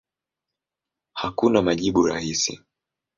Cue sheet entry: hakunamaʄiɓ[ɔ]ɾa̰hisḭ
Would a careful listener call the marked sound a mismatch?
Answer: yes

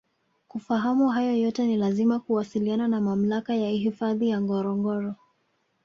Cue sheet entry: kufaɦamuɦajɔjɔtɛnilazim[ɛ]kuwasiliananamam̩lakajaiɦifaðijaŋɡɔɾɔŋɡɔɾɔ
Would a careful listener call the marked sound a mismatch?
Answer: yes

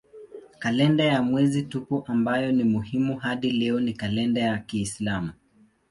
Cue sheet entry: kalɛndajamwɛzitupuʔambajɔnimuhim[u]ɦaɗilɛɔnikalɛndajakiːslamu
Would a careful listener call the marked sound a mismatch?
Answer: no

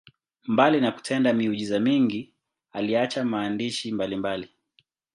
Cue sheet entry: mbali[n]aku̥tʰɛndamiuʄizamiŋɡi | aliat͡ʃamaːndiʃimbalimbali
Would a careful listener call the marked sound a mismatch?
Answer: no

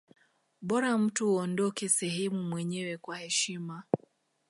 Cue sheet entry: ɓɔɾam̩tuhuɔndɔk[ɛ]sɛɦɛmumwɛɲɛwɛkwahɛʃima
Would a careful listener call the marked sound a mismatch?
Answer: no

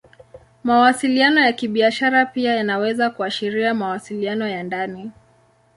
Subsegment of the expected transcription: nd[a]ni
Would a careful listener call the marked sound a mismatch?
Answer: no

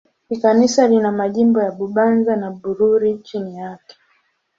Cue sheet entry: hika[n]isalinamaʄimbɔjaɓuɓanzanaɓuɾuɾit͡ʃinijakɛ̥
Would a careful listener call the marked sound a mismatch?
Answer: no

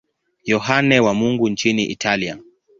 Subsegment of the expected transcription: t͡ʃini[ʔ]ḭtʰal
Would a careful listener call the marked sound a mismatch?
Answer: no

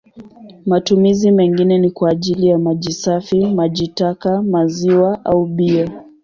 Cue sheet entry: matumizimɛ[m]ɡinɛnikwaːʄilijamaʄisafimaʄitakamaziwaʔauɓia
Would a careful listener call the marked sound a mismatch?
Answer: yes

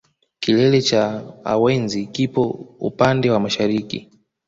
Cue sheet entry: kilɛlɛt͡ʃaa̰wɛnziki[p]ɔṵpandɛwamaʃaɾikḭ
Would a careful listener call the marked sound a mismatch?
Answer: no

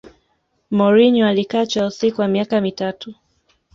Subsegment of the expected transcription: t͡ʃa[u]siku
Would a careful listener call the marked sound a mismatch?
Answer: no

